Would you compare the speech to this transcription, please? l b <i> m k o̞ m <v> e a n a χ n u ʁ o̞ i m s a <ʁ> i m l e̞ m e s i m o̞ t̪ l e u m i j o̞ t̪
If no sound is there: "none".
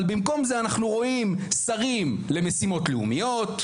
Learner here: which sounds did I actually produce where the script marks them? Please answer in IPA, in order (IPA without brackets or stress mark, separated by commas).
i, z, ʁ